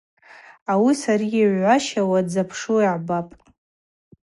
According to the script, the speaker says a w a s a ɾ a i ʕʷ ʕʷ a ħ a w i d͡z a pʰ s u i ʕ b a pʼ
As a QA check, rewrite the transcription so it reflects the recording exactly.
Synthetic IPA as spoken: a w i s a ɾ i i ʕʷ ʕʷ a ʃ a w a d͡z a pʰ ʂ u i ʕ b a pʼ